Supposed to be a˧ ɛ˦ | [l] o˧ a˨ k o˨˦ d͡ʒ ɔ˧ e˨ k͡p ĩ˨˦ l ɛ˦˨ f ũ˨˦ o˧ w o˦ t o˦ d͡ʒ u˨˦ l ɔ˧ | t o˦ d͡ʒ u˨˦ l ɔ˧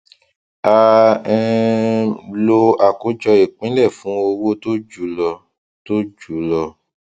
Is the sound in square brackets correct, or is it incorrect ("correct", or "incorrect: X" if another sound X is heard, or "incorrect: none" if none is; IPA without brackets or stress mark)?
correct